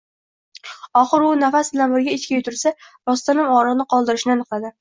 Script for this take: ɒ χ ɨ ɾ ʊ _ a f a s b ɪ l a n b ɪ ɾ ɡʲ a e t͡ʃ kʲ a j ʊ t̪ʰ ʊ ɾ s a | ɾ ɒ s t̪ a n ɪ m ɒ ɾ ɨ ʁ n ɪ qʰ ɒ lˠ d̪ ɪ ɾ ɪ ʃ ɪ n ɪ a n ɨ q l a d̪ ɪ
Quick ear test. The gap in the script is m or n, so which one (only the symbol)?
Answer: n